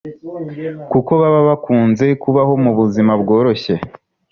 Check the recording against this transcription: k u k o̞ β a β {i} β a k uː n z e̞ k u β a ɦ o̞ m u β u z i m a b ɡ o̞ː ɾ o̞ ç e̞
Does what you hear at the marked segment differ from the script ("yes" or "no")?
yes